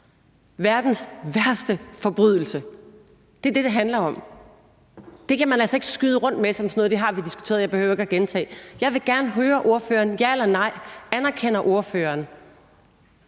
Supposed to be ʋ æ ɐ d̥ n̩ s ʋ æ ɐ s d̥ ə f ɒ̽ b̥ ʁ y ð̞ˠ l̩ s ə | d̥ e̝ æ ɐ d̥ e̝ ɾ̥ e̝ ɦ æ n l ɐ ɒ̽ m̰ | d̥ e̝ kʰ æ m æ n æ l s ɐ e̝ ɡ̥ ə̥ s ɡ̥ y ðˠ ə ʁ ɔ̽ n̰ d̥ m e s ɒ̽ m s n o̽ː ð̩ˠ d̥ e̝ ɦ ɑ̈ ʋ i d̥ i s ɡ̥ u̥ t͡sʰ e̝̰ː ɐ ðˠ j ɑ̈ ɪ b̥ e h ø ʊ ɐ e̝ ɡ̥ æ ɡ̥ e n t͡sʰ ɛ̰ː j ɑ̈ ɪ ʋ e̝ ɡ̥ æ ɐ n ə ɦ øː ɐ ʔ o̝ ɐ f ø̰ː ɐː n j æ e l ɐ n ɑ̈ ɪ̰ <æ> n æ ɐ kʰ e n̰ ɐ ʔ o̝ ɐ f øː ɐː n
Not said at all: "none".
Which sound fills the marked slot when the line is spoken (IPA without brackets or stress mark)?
æ